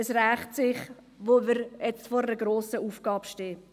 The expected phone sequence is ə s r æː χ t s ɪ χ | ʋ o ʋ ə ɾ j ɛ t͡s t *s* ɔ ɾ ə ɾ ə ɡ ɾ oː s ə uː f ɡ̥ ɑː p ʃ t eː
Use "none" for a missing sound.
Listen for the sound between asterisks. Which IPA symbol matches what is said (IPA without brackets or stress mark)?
f